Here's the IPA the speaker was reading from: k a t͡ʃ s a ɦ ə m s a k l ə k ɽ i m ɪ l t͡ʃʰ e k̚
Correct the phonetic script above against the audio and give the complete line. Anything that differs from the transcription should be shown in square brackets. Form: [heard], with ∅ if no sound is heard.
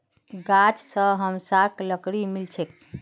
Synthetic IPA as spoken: [ɡ] a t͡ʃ s [ə] ɦ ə m s a k l ə k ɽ i m [i] l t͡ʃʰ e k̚